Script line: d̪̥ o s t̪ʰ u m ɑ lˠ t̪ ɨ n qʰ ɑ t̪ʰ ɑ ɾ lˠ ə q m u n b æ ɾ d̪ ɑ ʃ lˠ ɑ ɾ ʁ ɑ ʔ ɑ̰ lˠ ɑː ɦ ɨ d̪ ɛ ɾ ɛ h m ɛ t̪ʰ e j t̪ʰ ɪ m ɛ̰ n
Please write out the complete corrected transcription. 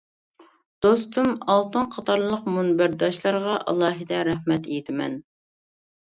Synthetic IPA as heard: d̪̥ o s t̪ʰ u m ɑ lˠ t̪ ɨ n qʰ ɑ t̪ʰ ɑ ɾ lˠ ə q m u n b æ ɾ d̪ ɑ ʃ lˠ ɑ ɾ ʁ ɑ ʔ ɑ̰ lˠ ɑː ɦ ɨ d̪ ɛ ɾ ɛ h m ɛ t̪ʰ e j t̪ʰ ɪ m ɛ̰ n